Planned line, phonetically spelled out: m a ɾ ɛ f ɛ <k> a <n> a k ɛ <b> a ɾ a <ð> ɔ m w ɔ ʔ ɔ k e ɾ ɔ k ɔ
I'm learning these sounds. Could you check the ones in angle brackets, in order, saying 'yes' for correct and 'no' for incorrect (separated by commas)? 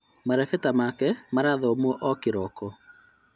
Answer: no, no, no, yes